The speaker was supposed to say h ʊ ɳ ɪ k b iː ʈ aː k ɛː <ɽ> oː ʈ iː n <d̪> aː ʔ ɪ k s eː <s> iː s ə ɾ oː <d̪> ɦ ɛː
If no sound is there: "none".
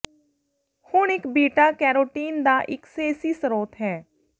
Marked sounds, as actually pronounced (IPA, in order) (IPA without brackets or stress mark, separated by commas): ɾ, d̪, s, t̪